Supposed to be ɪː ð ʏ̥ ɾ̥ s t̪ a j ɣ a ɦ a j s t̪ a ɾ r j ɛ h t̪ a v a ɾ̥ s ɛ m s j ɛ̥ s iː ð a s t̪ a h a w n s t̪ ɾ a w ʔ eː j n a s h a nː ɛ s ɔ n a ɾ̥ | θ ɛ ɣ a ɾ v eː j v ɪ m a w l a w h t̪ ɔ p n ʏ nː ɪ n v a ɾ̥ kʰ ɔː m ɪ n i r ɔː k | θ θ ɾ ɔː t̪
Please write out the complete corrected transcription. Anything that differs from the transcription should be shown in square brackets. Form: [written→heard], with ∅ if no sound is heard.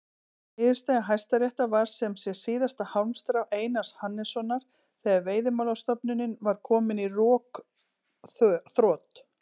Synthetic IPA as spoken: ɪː ð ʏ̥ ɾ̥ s t̪ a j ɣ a ɦ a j s t̪ a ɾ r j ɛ h t̪ a v a ɾ̥ s ɛ m s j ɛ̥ s iː ð a s t̪ a h a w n s t̪ ɾ a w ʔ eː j n a s h a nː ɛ s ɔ n a ɾ̥ | θ ɛ ɣ a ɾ v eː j [v→ð] ɪ m a w l a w [h→s] t̪ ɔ p n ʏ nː ɪ n v a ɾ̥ kʰ ɔː m ɪ n i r ɔː k | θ θ ɾ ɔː t̪

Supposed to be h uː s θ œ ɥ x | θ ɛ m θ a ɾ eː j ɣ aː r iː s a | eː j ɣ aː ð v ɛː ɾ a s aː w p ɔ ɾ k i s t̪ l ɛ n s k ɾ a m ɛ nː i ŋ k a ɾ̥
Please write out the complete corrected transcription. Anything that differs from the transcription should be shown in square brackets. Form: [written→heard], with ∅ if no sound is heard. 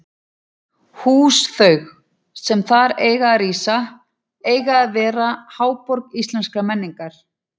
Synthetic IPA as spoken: h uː s θ œ ɥ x | [θ→s] ɛ m θ a ɾ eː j ɣ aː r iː s a | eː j ɣ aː ð v ɛː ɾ a [s→h] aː w p ɔ ɾ k i s t̪ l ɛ n s k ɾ a m ɛ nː i ŋ k a ɾ̥

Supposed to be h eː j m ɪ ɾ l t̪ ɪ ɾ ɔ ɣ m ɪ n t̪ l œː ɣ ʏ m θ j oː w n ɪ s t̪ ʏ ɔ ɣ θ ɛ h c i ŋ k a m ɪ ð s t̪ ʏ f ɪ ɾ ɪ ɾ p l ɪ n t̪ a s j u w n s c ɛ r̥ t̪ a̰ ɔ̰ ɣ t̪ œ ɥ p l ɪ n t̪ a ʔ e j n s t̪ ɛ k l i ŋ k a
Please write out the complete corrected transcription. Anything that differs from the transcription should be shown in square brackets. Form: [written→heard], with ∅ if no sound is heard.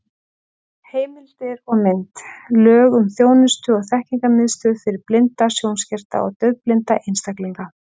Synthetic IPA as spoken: h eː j m ɪ [ɾ→∅] l t̪ ɪ ɾ ɔ ɣ m ɪ n t̪ l œː ɣ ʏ m θ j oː w n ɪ s t̪ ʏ ɔ ɣ θ ɛ h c i ŋ k a m ɪ ð s t̪ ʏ f ɪ ɾ ɪ ɾ p l ɪ n t̪ a s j [u→o] w n s c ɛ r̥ t̪ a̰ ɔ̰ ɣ t̪ œ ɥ p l ɪ n t̪ a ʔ e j n s t̪ [ɛ→a] k l i ŋ k a

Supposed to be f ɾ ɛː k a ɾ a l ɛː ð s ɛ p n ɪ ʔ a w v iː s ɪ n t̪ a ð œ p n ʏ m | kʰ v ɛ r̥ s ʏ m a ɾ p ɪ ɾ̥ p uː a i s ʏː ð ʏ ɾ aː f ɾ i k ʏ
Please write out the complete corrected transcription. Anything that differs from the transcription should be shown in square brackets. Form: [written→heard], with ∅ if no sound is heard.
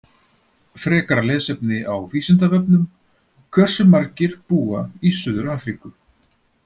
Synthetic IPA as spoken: f ɾ ɛː k a ɾ a l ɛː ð s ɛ p n ɪ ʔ a w v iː s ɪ n t̪ a [ð→v] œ p n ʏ m | kʰ v ɛ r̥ s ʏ m a ɾ [p→c] ɪ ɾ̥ p uː a i s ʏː ð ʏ ɾ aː f ɾ i k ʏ

